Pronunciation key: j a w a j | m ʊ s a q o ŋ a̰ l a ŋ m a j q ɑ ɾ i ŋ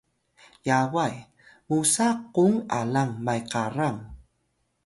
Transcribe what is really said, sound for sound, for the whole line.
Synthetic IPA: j a w a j | m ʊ s a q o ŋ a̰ l a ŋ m a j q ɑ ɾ a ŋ